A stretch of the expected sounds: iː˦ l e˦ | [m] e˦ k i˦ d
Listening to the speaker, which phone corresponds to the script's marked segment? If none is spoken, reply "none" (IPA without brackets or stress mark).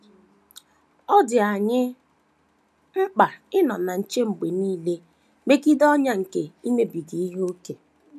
m